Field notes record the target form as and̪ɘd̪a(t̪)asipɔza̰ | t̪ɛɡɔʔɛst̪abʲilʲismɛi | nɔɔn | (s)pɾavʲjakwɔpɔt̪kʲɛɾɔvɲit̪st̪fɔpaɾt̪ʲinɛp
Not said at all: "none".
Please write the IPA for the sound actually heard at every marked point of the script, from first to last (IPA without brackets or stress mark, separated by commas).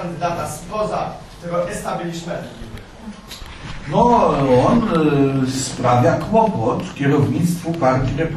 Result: t̪, s